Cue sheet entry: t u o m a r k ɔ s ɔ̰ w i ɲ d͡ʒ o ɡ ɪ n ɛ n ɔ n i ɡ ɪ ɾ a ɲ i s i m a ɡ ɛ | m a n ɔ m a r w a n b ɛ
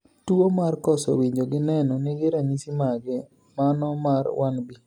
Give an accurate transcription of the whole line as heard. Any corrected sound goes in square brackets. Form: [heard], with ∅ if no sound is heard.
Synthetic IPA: t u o m a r k ɔ s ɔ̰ w i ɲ d͡ʒ o ɡ ɪ n ɛ n ɔ n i ɡ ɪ ɾ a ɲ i s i m a ɡ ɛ | m a n ɔ m a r w a n b [i]